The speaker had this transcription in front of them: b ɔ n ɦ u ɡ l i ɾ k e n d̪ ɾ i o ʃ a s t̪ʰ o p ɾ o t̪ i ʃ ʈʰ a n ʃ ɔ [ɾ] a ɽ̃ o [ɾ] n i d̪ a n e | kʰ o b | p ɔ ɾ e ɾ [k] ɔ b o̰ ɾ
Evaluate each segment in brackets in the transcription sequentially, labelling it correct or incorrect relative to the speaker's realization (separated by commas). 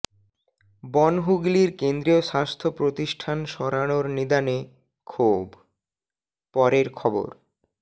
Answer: correct, correct, incorrect